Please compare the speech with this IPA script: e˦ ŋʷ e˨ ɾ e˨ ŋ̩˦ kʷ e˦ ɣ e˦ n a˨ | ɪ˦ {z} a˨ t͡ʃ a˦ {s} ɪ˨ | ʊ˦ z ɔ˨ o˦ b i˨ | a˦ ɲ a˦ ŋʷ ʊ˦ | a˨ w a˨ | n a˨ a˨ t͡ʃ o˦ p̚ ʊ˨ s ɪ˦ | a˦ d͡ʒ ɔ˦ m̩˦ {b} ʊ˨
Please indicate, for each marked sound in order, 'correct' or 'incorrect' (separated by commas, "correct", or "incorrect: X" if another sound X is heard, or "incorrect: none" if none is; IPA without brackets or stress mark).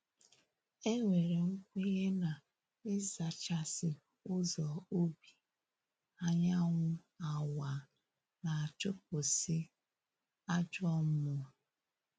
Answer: correct, correct, incorrect: m